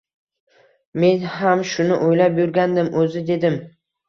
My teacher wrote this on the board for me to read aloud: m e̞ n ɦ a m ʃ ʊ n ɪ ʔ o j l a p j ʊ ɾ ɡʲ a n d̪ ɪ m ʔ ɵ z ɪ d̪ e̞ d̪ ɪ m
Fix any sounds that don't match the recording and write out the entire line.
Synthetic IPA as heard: m e̞ n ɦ a m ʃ ʊ n ɪ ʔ o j l a p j ʊ ɾ ɡʲ a n d̪ ɪ m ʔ ɵ z ɪ d̪ e̞ d̪ ɪ m